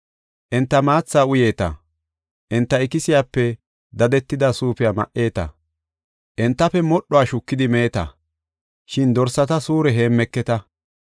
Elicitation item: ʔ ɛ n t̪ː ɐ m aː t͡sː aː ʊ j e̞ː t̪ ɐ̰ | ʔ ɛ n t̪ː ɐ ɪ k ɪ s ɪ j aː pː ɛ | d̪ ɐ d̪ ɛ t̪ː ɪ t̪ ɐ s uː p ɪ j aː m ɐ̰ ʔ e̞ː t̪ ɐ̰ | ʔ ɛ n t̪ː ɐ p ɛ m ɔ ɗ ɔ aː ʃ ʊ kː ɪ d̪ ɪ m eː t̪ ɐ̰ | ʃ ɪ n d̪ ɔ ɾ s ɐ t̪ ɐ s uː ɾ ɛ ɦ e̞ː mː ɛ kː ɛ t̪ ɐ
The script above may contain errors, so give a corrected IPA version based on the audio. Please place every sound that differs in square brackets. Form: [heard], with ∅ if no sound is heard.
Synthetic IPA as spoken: ʔ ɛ n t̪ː ɐ m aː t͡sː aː ʊ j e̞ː t̪ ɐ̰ | ʔ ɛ n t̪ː ɐ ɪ k ɪ s ɪ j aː pː ɛ | d̪ ɐ d̪ ɛ t̪ː ɪ [d̪] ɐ s uː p ɪ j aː m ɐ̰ ʔ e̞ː t̪ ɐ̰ | ʔ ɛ n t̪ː ɐ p ɛ m ɔ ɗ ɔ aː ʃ ʊ kː ɪ d̪ ɪ m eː t̪ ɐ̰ | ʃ ɪ n d̪ ɔ ɾ s ɐ t̪ ɐ s uː ɾ ɛ ɦ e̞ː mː ɛ kː ɛ t̪ ɐ

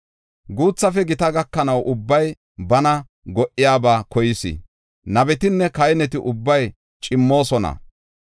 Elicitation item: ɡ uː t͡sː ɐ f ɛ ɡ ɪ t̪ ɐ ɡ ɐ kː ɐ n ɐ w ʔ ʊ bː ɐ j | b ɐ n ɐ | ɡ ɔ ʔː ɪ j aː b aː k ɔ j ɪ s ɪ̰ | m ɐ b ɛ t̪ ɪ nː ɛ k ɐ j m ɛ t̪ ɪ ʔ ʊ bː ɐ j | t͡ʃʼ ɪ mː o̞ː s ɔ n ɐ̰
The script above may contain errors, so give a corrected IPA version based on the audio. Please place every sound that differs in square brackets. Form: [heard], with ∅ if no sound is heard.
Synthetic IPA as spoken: ɡ uː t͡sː ɐ f ɛ ɡ ɪ t̪ ɐ ɡ ɐ kː ɐ n ɐ w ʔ ʊ bː ɐ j | b ɐ n ɐ | ɡ ɔ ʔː ɪ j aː b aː k ɔ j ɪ s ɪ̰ | [n] ɐ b ɛ t̪ ɪ nː ɛ k ɐ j [n] ɛ t̪ ɪ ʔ ʊ bː ɐ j | t͡ʃʼ ɪ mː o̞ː s ɔ n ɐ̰

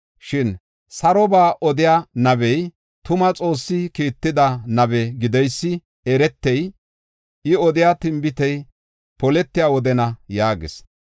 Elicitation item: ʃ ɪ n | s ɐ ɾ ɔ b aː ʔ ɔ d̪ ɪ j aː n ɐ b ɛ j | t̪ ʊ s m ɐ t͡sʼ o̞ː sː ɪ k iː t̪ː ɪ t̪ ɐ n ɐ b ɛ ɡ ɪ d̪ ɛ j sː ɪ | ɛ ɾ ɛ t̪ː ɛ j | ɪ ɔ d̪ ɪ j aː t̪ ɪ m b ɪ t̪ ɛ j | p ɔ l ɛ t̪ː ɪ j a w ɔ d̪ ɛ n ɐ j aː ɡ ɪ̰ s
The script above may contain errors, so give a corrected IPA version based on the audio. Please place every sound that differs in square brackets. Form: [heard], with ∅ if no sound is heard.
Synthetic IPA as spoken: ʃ ɪ n | s ɐ ɾ ɔ b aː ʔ ɔ d̪ ɪ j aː n ɐ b ɛ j | t̪ ʊ [∅] m ɐ t͡sʼ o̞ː sː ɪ k iː t̪ː ɪ [d̪] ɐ n ɐ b ɛ ɡ ɪ d̪ ɛ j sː ɪ | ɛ ɾ ɛ t̪ː ɛ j | ɪ ɔ d̪ ɪ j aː t̪ ɪ m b ɪ t̪ ɛ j | p ɔ l ɛ t̪ː ɪ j a w ɔ d̪ ɛ n ɐ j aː ɡ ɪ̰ s

